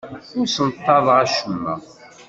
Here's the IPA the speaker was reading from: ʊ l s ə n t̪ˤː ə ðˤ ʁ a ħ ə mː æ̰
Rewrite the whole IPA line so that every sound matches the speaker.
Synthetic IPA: ʊ ɾ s ə n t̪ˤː ɑ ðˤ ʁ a ʃ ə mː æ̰